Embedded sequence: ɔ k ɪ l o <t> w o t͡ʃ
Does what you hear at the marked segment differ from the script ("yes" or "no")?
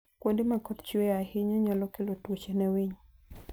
no